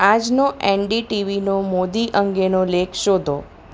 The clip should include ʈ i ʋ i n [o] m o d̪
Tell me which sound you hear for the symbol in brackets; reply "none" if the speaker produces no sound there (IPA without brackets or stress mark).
o